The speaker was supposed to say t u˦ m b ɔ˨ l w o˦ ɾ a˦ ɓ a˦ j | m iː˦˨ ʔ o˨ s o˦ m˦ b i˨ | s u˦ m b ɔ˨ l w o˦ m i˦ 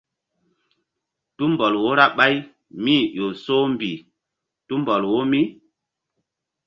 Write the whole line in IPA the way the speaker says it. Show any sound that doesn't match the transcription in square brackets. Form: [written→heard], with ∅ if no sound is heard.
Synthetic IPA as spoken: t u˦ m b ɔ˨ l w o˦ ɾ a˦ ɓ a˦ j | m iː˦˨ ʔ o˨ s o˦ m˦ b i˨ | [s→t] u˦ m b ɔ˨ l w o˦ m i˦